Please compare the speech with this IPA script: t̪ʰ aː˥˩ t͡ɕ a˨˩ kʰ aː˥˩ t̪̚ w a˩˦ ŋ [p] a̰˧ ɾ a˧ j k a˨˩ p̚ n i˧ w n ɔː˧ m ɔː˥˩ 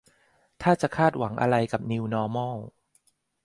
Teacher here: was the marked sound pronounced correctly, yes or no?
no